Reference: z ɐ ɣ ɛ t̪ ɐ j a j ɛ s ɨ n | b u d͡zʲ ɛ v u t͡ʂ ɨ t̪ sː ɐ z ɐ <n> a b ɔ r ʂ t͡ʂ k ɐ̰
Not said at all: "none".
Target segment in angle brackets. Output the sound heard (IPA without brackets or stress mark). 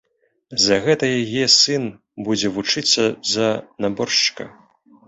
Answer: n